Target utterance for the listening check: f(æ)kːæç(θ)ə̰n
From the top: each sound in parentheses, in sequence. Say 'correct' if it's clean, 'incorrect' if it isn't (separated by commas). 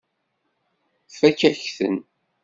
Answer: correct, correct